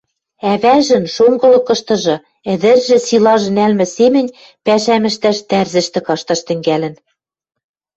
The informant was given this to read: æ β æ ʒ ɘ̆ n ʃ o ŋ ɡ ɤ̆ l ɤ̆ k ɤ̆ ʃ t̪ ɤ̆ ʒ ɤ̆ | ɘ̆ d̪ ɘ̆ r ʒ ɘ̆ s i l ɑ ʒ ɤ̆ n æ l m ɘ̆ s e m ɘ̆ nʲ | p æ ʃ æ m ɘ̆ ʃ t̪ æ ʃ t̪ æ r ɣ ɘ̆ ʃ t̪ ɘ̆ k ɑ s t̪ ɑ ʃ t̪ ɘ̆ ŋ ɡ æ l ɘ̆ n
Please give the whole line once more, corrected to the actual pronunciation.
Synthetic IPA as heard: æ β æ ʒ ɘ̆ n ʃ o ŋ ɡ ɤ̆ l ɤ̆ k ɤ̆ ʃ t̪ ɤ̆ ʒ ɤ̆ | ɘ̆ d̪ ɘ̆ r ʒ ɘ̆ s i l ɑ ʒ ɤ̆ n æ l m ɘ̆ s e m ɘ̆ nʲ | p æ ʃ æ m ɘ̆ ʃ t̪ æ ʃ t̪ æ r z ɘ̆ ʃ t̪ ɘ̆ k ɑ ʃ t̪ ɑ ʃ t̪ ɘ̆ ŋ ɡ æ l ɘ̆ n